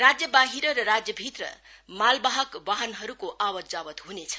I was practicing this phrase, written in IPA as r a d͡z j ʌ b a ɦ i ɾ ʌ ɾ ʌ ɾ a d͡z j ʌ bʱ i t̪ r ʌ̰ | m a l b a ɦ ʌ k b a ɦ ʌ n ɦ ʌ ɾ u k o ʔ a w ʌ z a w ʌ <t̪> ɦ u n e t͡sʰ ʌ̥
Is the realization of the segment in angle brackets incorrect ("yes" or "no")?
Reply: no